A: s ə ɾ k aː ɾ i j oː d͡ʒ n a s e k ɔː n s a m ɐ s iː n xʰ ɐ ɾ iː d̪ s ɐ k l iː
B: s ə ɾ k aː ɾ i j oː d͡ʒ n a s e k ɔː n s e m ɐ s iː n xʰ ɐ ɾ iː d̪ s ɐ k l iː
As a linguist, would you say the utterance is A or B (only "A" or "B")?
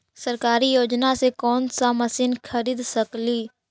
A